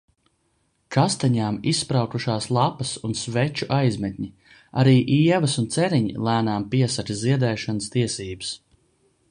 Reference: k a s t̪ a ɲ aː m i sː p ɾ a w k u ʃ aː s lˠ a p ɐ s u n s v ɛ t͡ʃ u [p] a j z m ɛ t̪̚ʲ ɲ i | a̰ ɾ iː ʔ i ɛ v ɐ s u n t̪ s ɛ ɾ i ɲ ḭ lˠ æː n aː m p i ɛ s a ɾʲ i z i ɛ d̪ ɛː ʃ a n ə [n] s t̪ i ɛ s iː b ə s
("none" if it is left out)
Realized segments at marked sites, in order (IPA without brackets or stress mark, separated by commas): ʔ, none